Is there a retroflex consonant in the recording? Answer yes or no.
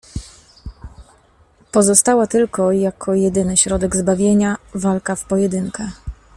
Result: no